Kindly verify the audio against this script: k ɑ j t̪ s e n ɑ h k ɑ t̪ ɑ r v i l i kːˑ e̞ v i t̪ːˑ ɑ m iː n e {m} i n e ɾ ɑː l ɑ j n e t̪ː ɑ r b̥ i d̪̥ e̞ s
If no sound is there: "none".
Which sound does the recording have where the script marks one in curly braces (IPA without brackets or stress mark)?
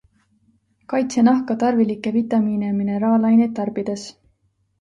m